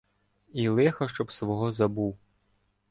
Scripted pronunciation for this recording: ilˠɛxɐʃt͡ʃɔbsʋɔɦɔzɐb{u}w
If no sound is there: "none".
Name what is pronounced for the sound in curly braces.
u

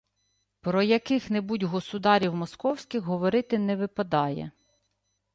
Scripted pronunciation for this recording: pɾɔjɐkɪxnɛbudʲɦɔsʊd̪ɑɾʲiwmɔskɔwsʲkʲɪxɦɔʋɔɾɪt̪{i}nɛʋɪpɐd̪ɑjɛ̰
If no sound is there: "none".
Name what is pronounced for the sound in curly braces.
ɪ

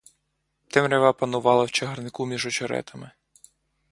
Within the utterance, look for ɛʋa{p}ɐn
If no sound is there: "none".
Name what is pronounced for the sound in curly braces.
p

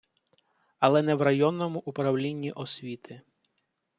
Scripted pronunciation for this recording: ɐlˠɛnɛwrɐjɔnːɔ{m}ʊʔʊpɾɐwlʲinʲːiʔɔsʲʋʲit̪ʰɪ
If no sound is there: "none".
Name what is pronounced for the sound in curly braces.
m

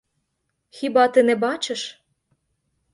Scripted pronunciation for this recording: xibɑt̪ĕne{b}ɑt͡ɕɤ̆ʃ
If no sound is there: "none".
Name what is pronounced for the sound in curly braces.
b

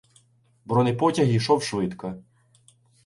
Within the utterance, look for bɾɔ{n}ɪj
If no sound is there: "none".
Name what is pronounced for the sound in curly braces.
n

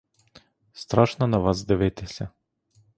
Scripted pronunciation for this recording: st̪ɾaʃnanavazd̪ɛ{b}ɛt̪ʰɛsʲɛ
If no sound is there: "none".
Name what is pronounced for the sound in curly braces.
v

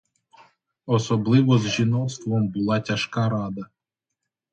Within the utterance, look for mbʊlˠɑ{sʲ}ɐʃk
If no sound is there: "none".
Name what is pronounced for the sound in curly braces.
tʲ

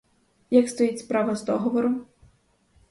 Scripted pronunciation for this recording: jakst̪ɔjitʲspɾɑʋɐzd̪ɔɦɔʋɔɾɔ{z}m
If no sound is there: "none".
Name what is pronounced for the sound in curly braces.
none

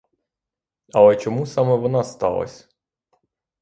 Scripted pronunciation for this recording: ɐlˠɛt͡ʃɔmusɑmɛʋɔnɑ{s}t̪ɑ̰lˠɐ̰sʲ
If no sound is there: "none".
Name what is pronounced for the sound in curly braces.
s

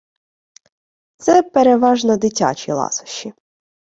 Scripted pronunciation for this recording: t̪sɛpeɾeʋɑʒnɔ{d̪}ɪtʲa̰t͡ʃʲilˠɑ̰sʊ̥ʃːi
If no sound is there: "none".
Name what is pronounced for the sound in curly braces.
d̪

